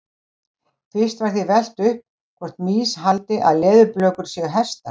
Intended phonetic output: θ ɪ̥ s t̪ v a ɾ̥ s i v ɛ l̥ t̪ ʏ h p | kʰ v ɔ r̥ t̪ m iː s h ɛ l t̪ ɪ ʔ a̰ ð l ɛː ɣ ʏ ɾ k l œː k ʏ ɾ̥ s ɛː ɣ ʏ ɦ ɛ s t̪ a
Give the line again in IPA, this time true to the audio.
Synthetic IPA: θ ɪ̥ s t̪ v a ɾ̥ θ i v ɛ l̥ t̪ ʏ h p | kʰ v ɔ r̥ t̪ m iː s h a l t̪ ɪ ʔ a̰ ð l ɛː ð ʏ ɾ p l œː k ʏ ɾ̥ s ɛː ɣ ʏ ɦ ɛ s t̪ a